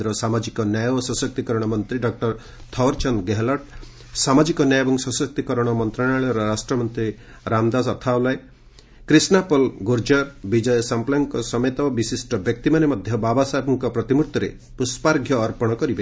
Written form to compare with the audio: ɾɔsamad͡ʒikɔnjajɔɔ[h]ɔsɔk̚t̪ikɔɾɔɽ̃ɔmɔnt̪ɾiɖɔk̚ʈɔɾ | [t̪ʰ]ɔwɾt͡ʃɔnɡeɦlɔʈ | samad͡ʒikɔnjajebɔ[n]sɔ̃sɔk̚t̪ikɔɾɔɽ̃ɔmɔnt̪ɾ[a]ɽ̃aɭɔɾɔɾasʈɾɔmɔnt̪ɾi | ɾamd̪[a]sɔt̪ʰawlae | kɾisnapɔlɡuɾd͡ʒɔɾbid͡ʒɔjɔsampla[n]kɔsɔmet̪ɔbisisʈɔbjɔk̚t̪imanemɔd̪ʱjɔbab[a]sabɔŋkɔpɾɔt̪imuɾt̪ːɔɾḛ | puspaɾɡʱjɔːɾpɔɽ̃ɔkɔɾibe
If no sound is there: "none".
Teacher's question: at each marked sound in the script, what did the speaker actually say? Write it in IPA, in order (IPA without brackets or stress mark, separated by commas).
s, t̪ʰ, ŋ, a, a, ŋ, a